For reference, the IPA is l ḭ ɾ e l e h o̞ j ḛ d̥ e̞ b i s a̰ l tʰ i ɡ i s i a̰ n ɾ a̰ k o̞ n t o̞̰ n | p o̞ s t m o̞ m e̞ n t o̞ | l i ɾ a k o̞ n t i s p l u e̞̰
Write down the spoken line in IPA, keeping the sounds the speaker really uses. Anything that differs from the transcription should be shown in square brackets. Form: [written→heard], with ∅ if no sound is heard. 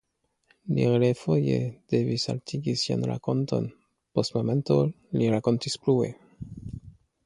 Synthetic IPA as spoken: l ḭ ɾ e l e [h→f] o̞ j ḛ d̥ e̞ [b→v] i s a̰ l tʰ i ɡ i s i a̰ n ɾ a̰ k o̞ n t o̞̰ n | p o̞ s t m o̞ m e̞ n t o̞ | l i ɾ a k o̞ n t i s p l u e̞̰